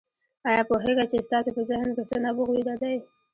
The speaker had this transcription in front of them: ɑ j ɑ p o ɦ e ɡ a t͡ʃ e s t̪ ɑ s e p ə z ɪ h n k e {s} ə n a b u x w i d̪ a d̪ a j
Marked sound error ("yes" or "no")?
no